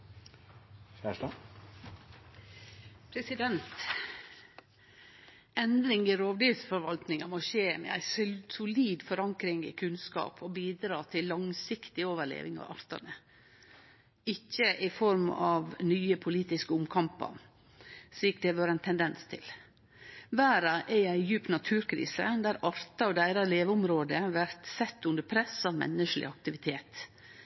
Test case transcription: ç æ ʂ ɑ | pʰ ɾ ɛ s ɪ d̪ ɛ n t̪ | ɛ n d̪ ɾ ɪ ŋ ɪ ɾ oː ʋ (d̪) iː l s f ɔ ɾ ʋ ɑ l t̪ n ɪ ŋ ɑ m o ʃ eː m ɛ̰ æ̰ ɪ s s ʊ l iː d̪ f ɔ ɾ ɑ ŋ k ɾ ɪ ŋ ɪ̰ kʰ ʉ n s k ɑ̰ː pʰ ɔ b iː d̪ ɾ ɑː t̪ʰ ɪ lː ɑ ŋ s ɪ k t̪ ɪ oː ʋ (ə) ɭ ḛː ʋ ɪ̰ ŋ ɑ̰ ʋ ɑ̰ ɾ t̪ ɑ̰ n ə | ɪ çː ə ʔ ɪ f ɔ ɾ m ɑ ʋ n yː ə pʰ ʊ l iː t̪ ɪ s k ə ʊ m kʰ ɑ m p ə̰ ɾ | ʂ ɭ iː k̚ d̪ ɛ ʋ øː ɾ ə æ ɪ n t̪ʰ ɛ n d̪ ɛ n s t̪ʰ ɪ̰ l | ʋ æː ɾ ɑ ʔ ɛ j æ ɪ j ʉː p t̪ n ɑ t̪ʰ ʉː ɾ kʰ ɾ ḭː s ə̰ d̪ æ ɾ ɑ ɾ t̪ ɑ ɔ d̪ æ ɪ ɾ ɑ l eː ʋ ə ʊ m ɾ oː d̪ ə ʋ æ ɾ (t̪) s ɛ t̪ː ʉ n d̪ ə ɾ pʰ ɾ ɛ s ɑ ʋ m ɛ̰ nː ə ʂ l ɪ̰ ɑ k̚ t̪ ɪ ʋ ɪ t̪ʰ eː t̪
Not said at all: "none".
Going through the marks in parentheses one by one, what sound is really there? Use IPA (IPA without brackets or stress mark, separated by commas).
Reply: d̪, ə, t̪